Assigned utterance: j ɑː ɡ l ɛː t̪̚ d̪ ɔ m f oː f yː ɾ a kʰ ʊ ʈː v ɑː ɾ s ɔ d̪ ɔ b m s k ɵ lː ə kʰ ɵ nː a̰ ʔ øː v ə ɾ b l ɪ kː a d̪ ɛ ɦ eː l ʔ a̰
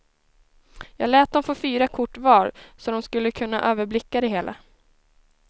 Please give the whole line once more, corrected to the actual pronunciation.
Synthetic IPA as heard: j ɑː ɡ l ɛː t̪̚ d̪ ɔ m f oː f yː ɾ a kʰ ʊ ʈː v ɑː ɾ s ɔ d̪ ɔ m s k ɵ lː ə kʰ ɵ nː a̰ ʔ øː v ə ɾ b l ɪ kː a d̪ ɛ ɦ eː l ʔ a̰

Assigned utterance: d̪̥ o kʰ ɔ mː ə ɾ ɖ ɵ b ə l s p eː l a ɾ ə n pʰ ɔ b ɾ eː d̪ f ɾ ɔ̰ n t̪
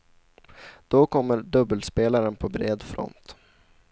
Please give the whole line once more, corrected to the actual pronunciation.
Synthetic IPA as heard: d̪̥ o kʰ ɔ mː ə ɾ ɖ ɵ b ə l s p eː l a ɾ ə n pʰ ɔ b ɾ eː d̪ f ɾ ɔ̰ n t̪

